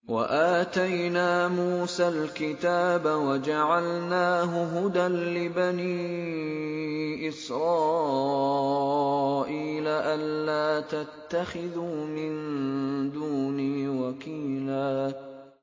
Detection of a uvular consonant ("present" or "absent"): absent